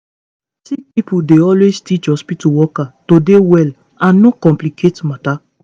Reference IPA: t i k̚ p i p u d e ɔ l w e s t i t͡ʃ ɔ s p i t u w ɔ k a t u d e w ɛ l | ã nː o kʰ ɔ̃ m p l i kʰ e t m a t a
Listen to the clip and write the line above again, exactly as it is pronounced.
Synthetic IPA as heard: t i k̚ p i p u d e ɔ l w e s t i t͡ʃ ɔ s p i t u w ɔ k a t o d e w ɛ l | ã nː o k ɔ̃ m p l i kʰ e t m a t a